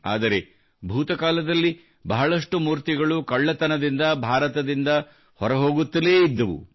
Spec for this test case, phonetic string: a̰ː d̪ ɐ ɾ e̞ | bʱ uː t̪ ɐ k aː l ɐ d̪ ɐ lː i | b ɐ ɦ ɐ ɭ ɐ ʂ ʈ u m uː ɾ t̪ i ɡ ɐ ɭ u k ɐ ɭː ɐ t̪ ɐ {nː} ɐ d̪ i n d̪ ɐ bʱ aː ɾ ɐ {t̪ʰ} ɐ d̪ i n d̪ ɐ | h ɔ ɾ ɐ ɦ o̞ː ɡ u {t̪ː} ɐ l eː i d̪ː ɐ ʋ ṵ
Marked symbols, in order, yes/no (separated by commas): no, no, yes